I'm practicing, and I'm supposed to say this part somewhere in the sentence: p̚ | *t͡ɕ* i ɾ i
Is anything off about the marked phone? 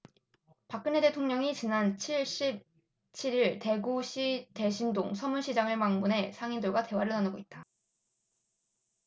yes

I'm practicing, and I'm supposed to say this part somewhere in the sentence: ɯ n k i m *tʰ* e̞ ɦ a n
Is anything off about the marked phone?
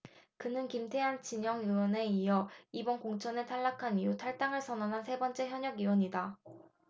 no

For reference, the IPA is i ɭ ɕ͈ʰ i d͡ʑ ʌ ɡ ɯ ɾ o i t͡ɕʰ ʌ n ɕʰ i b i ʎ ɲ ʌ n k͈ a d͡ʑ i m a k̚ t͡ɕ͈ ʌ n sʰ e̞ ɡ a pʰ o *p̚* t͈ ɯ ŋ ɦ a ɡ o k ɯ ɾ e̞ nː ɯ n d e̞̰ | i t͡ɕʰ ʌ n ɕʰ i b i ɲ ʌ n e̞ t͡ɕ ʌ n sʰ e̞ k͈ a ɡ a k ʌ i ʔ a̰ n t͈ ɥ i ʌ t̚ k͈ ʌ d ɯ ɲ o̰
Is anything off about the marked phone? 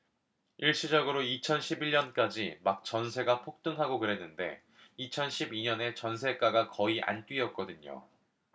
yes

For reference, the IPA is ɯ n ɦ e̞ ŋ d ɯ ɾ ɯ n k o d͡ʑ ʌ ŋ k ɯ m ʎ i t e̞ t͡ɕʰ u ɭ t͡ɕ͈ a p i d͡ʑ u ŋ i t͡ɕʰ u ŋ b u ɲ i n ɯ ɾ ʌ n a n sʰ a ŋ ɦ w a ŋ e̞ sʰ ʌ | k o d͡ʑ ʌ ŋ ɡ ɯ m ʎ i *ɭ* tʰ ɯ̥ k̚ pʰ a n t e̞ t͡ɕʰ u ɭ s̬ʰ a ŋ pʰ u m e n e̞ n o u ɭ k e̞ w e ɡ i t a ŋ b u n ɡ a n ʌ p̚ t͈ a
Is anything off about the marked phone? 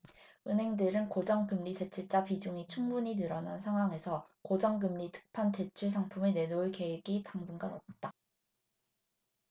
yes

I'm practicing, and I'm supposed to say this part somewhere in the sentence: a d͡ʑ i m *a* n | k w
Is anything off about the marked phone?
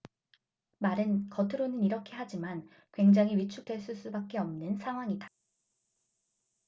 no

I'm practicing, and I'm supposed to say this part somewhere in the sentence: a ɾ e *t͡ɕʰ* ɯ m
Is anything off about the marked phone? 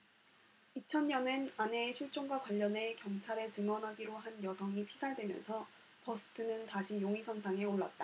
yes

